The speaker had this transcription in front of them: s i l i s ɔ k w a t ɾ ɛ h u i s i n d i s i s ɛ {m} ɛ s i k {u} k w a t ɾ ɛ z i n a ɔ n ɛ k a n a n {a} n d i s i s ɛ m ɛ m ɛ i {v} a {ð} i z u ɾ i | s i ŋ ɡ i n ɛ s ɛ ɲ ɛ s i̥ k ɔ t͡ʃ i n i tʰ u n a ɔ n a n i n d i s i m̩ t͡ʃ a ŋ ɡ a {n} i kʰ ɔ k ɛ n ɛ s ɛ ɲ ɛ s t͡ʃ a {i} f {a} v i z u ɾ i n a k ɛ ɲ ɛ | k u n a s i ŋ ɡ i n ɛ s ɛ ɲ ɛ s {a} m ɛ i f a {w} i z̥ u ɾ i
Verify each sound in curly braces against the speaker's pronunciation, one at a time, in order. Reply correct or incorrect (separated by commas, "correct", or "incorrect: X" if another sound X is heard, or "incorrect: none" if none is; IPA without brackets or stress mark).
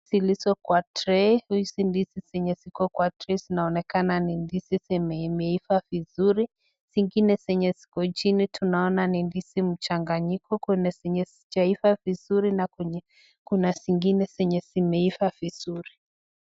incorrect: ɲ, incorrect: ɔ, incorrect: i, incorrect: f, incorrect: v, incorrect: ɲ, correct, correct, incorrect: i, incorrect: v